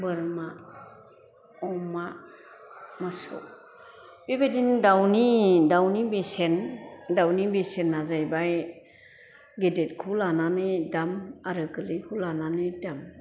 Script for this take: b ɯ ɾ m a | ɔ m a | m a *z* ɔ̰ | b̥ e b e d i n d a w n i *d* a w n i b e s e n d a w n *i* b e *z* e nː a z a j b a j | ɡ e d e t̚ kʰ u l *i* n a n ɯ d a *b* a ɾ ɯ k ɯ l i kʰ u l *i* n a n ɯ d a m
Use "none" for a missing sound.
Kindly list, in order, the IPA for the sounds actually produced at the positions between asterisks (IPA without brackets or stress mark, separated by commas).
s, d, i, s, a, m, a